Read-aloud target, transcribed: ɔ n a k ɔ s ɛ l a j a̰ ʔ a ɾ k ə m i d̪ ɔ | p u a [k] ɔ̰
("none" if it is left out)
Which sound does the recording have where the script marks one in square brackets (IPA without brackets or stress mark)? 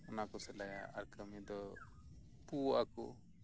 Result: k